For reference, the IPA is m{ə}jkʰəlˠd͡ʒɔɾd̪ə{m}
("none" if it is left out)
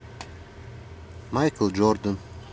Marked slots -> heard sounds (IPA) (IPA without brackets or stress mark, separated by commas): a, n